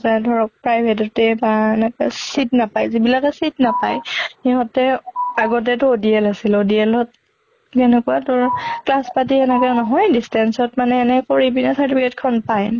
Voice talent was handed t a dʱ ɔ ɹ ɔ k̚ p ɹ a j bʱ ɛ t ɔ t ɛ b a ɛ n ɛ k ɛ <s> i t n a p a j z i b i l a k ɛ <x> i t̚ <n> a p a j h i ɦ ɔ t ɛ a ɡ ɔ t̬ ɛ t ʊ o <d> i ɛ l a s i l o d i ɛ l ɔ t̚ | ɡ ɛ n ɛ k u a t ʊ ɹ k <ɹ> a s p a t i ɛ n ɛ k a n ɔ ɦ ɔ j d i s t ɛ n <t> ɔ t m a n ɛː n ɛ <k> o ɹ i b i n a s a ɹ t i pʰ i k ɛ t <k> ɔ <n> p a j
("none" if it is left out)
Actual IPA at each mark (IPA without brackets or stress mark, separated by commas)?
s, s, n, d, l, s, k, kʰ, n